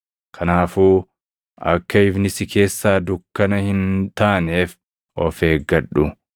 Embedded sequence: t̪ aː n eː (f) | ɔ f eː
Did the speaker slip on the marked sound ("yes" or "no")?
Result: no